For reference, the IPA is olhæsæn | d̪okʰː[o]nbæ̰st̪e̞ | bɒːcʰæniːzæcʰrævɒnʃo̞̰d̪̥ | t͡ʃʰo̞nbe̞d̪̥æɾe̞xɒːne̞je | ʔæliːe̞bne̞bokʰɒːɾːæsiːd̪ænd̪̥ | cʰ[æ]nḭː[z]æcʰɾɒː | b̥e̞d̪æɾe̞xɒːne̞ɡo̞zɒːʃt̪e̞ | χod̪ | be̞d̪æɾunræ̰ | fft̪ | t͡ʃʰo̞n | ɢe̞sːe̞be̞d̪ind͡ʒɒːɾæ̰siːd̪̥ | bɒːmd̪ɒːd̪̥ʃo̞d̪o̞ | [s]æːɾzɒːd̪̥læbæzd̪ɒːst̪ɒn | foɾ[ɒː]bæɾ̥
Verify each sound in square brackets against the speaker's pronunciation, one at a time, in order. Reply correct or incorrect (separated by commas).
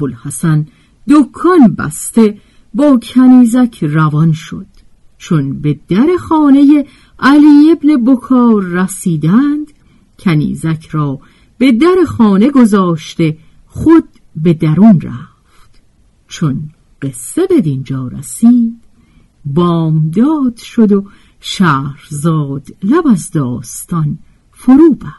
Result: incorrect, correct, correct, incorrect, incorrect